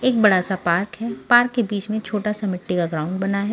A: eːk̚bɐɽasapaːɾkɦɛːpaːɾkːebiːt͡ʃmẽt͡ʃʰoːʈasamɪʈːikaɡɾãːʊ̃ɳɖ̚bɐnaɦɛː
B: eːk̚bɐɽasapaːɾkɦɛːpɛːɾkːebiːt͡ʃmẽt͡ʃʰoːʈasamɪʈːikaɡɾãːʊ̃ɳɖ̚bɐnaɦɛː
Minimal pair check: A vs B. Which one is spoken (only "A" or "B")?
A